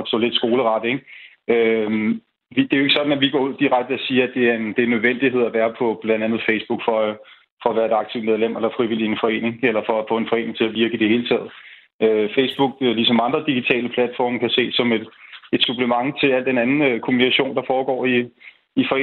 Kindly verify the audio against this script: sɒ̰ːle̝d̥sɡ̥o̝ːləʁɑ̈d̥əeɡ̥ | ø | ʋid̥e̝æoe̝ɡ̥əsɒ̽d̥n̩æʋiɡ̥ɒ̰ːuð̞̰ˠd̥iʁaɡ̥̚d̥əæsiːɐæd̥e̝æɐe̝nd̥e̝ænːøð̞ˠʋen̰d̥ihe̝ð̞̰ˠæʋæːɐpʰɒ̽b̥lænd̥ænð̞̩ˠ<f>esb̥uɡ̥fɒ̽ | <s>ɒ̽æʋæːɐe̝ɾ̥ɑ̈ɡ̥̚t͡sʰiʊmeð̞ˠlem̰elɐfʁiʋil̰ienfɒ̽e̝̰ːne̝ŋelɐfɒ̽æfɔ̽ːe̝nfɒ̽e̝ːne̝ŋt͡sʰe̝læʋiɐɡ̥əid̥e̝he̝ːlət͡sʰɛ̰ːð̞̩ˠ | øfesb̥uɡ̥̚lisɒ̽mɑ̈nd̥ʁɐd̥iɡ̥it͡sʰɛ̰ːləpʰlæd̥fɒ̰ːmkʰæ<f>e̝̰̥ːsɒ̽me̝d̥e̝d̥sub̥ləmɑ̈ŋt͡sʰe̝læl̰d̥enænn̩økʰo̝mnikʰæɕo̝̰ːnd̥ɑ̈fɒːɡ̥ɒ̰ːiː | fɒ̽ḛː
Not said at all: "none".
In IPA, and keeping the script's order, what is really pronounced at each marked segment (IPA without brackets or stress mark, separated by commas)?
f, f, s